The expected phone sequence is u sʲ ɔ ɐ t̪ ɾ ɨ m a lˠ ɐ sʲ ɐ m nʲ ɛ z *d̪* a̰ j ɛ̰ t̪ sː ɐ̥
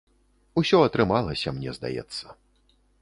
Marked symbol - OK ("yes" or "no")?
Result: yes